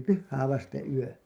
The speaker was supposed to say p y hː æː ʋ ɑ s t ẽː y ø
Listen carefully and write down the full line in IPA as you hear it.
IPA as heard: p y hː æː ʋ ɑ s t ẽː y ø